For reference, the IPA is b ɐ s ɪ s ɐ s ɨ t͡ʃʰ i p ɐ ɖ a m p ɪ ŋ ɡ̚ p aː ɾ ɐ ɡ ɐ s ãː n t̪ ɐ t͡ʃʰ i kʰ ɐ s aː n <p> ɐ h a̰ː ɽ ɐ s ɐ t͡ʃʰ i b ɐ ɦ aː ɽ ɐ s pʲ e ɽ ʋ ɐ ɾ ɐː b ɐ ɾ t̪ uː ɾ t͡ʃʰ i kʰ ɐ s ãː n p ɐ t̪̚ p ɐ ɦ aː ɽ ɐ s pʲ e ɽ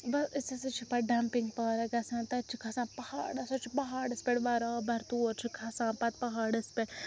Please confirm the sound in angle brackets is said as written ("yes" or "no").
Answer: yes